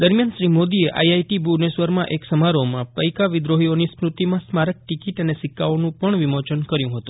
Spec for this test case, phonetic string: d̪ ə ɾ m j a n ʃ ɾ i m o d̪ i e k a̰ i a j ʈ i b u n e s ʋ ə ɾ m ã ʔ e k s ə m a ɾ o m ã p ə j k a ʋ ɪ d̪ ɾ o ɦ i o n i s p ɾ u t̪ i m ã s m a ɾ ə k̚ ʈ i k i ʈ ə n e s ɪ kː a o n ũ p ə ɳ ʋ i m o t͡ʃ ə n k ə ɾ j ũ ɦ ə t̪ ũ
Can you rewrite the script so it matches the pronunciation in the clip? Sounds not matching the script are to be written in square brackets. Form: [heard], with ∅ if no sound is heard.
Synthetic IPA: d̪ ə ɾ m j a n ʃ ɾ i m o d̪ i e [ʔ] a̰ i a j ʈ i b u n e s ʋ ə ɾ m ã ʔ e k s ə m a ɾ o m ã p ə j k a ʋ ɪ d̪ ɾ o ɦ i o n i s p ɾ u t̪ i m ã s m a ɾ ə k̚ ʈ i k i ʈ ə n e s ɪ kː a o n ũ p ə ɳ ʋ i m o t͡ʃ ə n k ə ɾ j ũ ɦ ə t̪ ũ